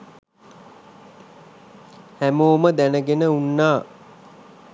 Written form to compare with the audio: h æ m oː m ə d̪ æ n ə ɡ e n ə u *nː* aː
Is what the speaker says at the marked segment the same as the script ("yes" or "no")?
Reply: yes